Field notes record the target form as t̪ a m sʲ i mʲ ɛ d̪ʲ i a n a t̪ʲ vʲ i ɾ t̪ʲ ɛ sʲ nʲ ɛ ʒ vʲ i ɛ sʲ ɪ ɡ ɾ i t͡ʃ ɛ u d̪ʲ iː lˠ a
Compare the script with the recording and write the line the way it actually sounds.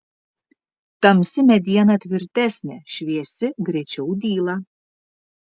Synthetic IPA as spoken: t̪ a m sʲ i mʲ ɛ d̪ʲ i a n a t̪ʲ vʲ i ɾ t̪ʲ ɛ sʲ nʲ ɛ ʃ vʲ i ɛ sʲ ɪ ɡ ɾ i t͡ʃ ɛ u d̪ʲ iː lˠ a